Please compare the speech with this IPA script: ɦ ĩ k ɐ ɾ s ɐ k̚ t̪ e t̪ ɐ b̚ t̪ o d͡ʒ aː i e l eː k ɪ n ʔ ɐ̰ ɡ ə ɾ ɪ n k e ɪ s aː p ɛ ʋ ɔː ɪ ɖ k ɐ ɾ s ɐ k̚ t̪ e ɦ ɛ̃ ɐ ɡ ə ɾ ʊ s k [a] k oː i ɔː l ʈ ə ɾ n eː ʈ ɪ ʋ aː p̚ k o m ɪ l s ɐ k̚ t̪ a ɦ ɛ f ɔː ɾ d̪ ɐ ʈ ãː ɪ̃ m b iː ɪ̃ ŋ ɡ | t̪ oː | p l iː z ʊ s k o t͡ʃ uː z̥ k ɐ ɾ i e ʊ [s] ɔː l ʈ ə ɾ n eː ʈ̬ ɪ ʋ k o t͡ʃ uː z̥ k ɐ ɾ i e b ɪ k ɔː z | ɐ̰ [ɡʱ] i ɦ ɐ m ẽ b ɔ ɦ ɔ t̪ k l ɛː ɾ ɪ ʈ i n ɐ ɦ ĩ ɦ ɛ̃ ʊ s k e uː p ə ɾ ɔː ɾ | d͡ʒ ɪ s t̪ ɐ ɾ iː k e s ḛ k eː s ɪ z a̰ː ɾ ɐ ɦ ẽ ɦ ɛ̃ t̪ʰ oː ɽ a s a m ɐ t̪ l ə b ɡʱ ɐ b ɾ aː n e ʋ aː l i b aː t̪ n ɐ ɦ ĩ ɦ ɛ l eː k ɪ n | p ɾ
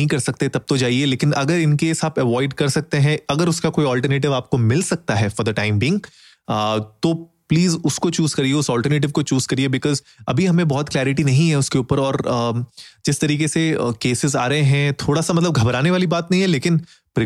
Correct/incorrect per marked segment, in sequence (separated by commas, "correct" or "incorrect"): correct, correct, incorrect